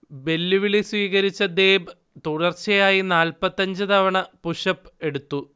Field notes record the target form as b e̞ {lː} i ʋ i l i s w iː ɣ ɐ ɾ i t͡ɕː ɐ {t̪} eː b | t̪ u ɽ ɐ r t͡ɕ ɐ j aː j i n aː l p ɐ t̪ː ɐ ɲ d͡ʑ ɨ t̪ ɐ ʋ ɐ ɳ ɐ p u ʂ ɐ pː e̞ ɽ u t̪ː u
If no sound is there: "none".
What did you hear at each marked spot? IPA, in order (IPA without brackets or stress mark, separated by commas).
lː, d̪